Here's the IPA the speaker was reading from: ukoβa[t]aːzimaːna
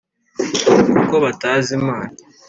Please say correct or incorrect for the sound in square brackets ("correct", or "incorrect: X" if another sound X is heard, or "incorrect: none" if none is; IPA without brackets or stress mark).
correct